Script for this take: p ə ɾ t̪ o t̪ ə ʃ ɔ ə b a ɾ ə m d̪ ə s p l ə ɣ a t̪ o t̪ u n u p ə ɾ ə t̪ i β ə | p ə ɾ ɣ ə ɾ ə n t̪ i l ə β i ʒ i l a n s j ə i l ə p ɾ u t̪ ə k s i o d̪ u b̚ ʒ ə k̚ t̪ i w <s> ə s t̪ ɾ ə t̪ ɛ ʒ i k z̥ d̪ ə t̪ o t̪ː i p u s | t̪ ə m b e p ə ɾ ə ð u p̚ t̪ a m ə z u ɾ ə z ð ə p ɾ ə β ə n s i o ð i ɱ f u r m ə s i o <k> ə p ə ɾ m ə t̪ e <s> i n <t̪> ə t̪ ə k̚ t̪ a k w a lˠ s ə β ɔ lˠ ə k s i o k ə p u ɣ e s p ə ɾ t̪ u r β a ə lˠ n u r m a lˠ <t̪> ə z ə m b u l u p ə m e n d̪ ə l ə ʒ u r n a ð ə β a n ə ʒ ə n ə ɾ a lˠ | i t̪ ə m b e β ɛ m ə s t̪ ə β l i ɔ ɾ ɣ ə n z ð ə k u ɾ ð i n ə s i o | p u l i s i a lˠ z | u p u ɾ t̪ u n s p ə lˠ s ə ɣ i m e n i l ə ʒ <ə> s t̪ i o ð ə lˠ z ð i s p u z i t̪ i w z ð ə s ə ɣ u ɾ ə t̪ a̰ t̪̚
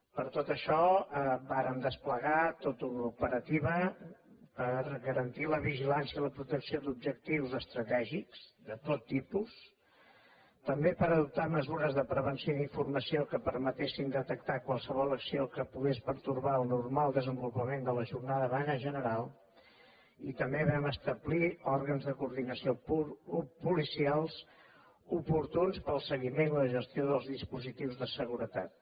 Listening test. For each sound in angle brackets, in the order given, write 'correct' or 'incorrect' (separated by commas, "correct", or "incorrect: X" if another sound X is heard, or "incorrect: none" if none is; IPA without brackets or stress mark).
incorrect: z, correct, correct, incorrect: d̪, incorrect: d̪, correct